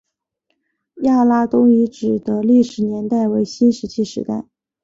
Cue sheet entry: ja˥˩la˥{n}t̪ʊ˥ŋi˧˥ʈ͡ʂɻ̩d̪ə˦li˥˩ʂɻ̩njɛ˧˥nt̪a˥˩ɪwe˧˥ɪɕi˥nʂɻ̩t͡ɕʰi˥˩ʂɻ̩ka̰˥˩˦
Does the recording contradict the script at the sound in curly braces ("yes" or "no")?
yes